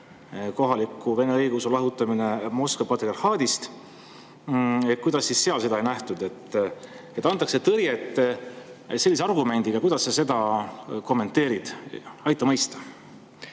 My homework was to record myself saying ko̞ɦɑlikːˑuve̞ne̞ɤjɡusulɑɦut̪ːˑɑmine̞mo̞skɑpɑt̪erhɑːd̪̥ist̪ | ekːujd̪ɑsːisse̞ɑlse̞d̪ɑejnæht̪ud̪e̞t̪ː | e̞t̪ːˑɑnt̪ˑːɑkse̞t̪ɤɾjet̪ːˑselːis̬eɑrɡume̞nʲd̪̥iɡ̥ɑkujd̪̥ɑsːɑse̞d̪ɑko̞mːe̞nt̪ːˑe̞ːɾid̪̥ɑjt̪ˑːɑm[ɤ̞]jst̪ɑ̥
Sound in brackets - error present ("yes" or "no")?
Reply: no